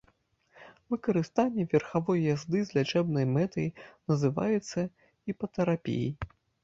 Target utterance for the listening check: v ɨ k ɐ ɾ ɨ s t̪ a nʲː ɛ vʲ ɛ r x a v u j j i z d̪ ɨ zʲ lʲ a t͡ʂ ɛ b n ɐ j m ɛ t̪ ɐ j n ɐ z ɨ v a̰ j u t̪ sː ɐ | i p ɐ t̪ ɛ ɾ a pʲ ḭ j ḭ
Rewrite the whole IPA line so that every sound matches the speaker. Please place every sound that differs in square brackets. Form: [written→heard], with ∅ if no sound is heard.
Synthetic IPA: v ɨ k ɐ ɾ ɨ s t̪ a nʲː ɛ vʲ ɛ r x a v [u→ɔ] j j [i→a] z d̪ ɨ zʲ lʲ a t͡ʂ ɛ b n ɐ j m ɛ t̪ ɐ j n ɐ z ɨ v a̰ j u t̪ sː ɐ | i p ɐ t̪ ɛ ɾ a pʲ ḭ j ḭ